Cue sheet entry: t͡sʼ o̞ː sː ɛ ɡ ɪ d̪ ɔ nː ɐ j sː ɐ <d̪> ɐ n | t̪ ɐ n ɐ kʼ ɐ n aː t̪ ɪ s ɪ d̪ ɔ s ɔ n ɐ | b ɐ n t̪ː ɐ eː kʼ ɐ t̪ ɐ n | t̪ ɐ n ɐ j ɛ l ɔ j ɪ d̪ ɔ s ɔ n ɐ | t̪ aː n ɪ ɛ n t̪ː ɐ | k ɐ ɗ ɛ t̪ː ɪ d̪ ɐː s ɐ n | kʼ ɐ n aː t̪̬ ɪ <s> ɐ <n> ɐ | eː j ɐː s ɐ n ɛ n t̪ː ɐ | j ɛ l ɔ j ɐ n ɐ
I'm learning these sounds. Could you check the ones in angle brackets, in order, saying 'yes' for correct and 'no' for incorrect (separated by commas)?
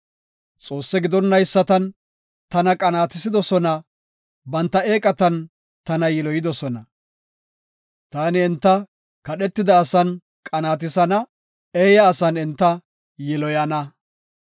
no, yes, yes